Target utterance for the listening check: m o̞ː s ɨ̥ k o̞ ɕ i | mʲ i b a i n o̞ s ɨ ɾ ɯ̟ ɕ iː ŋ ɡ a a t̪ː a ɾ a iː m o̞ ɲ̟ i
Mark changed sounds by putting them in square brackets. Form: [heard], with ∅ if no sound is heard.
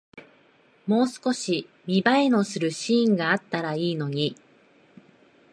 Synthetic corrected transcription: m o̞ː s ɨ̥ k o̞ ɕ i | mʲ i b a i n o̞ s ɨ ɾ ɯ̟ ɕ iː ŋ ɡ a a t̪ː a ɾ a iː [n] o̞ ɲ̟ i